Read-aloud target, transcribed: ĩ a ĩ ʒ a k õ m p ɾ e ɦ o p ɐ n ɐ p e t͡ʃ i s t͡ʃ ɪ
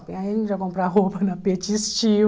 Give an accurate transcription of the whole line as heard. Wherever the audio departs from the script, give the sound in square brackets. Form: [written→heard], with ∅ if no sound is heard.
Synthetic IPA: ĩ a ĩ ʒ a k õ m p ɾ [e→a] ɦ o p ɐ n ɐ p e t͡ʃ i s t͡ʃ [ɪ→i]